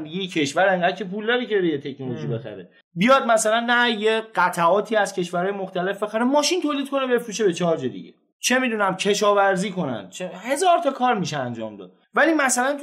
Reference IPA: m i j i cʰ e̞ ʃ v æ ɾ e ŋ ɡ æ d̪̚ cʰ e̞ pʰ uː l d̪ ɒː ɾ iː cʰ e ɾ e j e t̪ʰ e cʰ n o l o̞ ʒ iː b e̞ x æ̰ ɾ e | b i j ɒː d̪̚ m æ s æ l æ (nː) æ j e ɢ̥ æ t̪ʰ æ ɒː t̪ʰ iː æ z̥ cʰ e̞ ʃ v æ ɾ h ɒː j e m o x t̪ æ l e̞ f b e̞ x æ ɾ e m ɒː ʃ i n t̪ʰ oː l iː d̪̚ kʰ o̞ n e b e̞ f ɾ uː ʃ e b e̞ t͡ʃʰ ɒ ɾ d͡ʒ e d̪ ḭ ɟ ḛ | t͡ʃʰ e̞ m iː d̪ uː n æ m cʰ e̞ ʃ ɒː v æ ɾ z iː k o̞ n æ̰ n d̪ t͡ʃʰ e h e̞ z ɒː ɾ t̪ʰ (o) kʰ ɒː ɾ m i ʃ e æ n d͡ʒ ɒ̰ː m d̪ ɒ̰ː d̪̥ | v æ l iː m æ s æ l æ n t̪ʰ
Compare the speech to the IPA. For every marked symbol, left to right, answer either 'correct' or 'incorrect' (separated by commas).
correct, incorrect